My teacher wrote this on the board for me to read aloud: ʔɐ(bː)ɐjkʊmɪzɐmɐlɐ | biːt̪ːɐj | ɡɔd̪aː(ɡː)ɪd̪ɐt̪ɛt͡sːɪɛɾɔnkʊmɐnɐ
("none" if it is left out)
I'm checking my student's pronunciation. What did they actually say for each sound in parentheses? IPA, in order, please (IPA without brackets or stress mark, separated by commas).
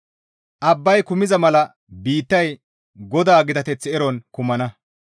bː, ɡ